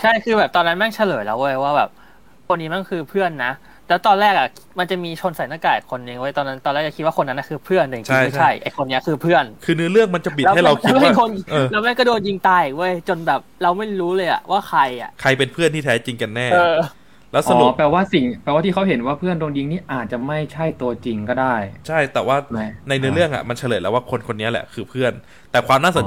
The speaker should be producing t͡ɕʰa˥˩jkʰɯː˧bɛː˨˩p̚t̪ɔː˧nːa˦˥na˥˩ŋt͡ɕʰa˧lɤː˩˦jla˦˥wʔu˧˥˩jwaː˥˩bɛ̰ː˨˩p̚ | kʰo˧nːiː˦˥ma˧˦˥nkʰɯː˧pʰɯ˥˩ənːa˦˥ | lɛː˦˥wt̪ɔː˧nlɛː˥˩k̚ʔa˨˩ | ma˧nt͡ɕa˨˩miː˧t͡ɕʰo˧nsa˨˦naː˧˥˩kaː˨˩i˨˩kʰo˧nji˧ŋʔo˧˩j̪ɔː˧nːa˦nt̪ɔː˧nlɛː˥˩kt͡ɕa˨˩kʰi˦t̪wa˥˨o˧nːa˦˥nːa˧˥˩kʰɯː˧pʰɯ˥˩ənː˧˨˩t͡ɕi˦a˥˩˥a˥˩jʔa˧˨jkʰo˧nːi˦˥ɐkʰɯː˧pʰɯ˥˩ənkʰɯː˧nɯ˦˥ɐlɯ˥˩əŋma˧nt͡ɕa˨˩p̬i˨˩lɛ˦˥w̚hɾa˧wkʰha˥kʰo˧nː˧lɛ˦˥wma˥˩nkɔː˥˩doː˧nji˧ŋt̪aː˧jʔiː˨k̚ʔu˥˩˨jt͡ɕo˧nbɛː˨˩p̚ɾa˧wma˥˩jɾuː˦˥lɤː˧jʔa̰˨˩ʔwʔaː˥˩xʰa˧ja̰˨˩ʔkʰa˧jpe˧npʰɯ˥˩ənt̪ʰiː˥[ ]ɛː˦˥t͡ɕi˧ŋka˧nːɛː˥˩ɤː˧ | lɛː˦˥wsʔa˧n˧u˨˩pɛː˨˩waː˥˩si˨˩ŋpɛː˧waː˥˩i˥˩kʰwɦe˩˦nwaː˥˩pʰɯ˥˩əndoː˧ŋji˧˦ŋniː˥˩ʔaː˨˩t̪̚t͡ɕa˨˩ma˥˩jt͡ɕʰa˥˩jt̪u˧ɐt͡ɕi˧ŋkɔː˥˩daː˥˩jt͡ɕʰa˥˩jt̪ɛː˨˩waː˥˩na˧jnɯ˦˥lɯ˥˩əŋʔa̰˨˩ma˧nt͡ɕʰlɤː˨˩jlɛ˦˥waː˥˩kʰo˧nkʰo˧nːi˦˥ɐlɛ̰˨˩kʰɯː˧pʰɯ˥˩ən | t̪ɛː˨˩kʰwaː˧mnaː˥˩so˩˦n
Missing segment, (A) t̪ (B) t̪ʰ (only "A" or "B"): B